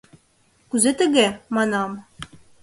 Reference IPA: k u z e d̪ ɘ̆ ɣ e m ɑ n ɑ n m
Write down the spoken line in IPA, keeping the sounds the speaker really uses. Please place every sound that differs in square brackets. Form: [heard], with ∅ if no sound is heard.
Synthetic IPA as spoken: k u z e [t̪] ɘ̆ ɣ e m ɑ n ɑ [∅] m